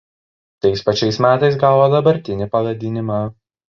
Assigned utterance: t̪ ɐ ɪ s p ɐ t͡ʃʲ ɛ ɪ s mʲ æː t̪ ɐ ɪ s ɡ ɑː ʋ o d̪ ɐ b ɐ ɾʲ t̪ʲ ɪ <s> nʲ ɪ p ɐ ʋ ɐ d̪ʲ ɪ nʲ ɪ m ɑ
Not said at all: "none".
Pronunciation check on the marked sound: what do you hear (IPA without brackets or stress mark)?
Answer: none